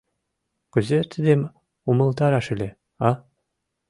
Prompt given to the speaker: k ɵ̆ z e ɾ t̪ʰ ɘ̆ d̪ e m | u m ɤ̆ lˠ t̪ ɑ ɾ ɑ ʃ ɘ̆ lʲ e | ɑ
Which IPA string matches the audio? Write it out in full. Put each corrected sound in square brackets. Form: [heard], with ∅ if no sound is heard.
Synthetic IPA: k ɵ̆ z e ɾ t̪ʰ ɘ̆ d̪ e m | u m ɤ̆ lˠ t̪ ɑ ɾ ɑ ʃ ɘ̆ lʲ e | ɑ